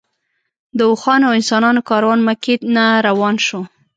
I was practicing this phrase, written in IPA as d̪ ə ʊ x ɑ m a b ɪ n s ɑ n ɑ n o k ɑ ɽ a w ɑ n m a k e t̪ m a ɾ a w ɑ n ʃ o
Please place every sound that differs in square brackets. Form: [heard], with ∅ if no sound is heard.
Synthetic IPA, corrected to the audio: d̪ ə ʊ x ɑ [n] a [w] ɪ n s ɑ n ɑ n o k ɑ [ɾ] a w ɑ n m a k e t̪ [n] a ɾ a w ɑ n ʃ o